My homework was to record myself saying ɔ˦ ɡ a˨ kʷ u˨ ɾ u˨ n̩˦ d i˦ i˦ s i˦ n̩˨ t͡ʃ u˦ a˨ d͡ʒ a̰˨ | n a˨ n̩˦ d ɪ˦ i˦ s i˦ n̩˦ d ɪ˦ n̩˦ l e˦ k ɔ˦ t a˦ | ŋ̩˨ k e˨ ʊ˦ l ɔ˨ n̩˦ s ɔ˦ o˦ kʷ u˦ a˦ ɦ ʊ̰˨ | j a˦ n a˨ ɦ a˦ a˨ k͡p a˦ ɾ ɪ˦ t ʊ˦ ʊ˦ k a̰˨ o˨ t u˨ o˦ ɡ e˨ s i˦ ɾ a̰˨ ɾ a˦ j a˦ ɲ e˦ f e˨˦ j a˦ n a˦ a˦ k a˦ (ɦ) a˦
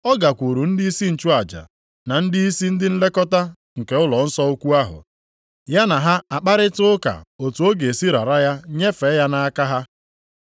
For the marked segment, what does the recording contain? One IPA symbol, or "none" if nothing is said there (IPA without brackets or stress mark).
ɦ